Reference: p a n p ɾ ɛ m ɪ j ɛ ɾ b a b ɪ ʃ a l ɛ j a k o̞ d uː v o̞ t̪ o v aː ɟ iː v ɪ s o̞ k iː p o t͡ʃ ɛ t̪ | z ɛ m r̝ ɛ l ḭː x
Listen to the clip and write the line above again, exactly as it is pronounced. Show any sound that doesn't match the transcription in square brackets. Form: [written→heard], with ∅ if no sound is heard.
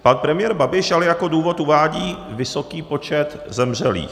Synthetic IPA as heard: p a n p ɾ ɛ m ɪ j ɛ ɾ b a b ɪ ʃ a l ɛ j a k o̞ d uː v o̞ t̪ [o→u] v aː ɟ iː v ɪ s o̞ k iː p o t͡ʃ ɛ t̪ | z ɛ m r̝ ɛ l ḭː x